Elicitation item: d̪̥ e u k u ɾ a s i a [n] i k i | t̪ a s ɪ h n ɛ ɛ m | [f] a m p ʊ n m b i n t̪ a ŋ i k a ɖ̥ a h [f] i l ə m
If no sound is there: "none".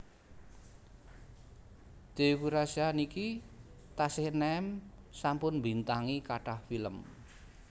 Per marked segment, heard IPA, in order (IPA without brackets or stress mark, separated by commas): n, s, f